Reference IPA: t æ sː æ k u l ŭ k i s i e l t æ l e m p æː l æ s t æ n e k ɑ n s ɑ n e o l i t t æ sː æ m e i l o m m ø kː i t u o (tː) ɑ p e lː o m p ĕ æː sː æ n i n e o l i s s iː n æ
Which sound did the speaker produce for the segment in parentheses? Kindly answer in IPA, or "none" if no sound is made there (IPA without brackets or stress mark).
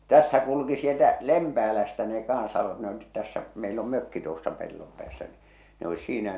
sː